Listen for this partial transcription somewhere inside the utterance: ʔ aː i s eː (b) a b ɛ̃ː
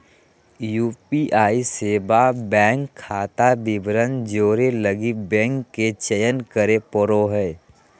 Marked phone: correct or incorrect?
correct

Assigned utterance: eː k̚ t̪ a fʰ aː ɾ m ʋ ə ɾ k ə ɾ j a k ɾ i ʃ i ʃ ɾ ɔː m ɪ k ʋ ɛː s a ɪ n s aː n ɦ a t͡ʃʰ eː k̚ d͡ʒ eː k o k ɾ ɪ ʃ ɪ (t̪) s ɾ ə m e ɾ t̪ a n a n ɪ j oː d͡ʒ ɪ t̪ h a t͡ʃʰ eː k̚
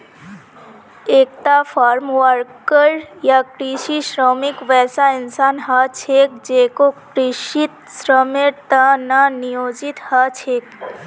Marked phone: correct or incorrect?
correct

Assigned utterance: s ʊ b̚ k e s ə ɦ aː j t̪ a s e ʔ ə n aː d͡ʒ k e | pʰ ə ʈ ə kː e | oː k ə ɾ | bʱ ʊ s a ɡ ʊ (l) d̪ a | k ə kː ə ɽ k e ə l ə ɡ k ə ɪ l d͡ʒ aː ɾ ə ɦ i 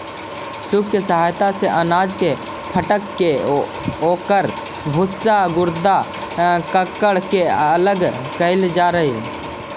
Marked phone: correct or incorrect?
incorrect: ɾ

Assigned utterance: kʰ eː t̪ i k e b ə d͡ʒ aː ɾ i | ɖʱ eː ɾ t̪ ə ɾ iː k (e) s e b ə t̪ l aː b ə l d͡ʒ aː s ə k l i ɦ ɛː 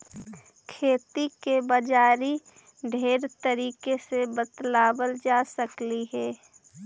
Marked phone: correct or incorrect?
correct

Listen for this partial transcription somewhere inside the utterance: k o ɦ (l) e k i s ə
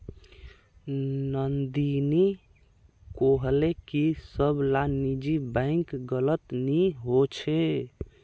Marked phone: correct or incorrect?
correct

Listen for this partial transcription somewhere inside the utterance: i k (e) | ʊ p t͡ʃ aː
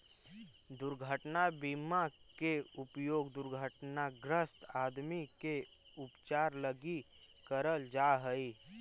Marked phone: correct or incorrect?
correct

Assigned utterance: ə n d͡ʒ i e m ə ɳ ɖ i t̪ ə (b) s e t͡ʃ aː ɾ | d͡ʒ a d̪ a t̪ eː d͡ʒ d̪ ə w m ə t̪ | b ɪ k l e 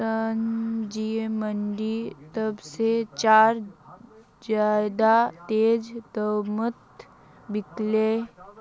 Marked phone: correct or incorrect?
correct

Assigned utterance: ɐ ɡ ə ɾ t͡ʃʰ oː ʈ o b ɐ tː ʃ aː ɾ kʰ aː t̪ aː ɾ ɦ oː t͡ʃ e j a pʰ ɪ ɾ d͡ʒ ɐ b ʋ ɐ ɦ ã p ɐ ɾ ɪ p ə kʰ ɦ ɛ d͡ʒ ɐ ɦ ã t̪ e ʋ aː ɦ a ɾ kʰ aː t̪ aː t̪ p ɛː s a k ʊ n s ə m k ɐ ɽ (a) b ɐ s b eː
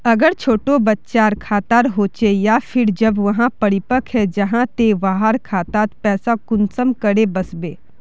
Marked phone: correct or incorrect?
incorrect: e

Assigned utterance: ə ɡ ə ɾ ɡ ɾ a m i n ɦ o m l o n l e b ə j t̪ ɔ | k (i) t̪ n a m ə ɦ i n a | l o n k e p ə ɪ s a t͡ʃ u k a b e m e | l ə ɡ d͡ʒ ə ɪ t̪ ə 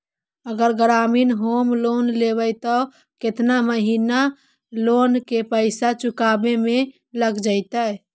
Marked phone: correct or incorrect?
incorrect: e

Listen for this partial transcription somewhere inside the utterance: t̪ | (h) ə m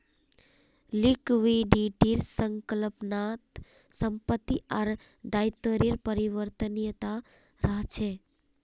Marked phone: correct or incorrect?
incorrect: s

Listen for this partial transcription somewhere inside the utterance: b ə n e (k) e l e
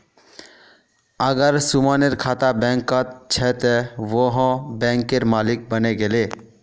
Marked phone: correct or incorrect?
incorrect: ɡ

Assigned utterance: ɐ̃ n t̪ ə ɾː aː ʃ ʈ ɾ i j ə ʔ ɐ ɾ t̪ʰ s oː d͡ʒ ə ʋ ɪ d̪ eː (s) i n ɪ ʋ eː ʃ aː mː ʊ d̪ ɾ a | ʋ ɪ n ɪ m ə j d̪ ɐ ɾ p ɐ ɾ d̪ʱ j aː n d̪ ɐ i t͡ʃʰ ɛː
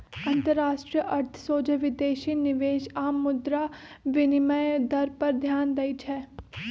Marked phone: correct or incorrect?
incorrect: ʃ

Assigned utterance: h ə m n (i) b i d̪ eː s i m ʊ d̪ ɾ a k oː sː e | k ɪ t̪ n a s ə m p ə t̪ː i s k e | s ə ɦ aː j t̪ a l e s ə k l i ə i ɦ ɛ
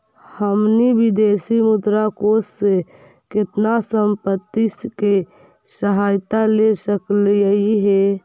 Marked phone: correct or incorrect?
correct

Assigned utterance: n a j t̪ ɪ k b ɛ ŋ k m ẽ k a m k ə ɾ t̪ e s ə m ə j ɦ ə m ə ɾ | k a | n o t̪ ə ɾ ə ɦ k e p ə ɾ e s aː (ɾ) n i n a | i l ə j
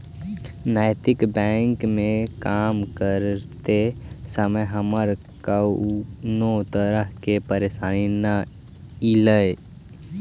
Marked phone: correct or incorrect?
incorrect: none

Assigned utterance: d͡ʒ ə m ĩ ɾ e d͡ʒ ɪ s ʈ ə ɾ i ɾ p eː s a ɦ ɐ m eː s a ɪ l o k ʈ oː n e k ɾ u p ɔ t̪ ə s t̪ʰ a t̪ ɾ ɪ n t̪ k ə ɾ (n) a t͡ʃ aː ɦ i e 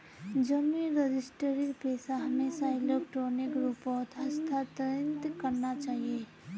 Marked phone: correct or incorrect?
correct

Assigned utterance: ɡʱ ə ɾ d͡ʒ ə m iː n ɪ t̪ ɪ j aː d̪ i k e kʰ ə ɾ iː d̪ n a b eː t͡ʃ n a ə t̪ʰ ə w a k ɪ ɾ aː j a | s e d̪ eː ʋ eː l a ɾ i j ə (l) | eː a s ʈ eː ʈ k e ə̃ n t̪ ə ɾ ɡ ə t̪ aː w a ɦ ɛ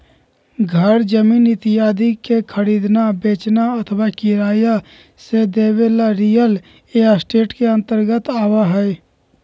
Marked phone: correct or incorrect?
correct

